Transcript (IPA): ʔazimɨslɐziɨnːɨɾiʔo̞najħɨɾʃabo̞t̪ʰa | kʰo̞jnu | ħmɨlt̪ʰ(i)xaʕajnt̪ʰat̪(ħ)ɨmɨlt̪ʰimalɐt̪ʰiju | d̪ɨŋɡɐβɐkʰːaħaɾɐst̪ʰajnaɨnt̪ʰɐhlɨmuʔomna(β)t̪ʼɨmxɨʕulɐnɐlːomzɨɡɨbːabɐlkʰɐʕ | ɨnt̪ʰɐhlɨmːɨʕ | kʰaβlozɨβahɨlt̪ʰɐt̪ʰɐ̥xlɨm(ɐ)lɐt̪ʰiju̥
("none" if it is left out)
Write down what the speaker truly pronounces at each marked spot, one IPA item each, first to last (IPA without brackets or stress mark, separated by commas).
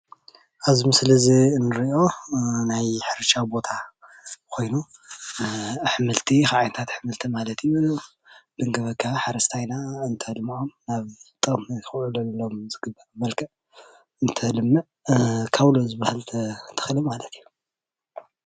i, ħ, β, a